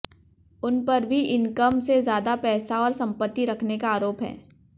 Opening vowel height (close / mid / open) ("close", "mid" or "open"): close